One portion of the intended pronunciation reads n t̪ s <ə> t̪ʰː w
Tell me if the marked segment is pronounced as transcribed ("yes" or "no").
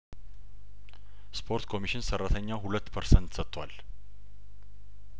yes